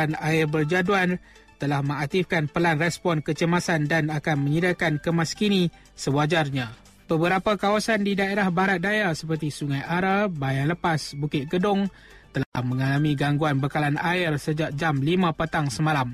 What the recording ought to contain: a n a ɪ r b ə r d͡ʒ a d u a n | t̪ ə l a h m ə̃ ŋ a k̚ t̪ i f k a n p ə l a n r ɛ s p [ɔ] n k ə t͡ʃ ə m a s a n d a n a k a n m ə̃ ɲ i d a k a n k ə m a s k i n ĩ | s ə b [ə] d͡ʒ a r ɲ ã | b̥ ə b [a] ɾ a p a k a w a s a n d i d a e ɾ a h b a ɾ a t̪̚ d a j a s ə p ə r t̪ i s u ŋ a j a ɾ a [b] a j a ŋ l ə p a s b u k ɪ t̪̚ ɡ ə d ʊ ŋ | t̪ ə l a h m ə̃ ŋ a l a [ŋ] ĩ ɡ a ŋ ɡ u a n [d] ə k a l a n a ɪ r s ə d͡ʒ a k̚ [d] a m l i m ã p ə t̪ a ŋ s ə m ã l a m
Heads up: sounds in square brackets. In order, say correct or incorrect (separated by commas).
correct, incorrect, incorrect, correct, incorrect, incorrect, incorrect